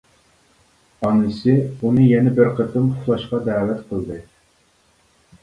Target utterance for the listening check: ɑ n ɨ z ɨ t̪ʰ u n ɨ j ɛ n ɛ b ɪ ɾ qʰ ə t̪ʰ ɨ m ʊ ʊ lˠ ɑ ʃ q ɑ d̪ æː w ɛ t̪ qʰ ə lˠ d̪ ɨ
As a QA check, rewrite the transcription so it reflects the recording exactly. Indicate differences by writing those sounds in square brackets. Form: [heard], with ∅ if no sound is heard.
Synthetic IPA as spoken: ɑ n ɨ [s] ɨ [∅] u n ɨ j ɛ n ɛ b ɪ ɾ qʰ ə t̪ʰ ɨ m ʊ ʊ lˠ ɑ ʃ q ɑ d̪ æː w ɛ t̪ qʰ ə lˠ d̪ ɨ